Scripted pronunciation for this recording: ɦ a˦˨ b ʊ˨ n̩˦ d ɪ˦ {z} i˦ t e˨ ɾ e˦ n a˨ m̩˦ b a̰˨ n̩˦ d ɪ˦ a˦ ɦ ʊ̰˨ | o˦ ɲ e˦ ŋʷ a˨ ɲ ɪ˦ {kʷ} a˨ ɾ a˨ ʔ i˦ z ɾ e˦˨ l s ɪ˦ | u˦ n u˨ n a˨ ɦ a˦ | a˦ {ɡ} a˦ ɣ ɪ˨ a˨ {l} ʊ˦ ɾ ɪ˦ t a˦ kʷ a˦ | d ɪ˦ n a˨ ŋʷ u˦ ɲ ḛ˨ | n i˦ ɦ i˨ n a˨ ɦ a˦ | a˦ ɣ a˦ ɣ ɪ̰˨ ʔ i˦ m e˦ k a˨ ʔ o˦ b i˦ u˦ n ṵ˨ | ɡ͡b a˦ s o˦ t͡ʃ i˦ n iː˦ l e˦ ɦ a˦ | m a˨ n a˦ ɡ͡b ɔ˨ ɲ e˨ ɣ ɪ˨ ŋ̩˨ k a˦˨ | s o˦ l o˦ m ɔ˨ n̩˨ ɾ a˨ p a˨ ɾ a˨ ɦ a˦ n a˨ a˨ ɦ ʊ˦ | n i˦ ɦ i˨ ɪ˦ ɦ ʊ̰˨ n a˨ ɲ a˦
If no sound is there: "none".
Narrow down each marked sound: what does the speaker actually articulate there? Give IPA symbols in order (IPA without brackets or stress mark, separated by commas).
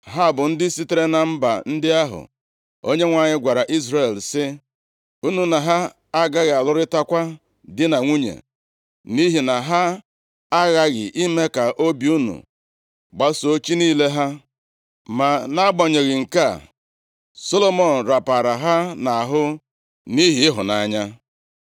s, ɡʷ, ɡ, l